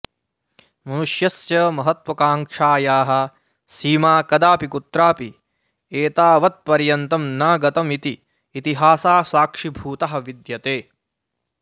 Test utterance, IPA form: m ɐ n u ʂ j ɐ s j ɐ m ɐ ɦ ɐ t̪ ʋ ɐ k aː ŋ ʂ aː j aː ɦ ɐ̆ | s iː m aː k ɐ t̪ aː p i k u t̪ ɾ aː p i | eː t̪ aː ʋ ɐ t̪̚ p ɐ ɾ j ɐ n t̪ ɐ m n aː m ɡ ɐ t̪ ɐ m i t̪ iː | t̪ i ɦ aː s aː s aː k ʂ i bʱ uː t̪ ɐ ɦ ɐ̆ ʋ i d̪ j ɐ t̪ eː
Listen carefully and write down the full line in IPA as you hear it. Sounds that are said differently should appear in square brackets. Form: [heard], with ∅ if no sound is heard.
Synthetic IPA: m ɐ n u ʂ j ɐ s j ɐ m ɐ ɦ ɐ t̪ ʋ ɐ k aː ŋ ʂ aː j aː ɦ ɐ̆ | s iː m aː k ɐ [d̪] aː p i k u t̪ ɾ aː p i | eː t̪ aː ʋ ɐ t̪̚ p ɐ ɾ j ɐ n t̪ ɐ m n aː [∅] ɡ ɐ t̪ ɐ m i t̪ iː | t̪ i ɦ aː s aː s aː k ʂ i bʱ uː t̪ ɐ ɦ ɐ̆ ʋ i d̪ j ɐ t̪ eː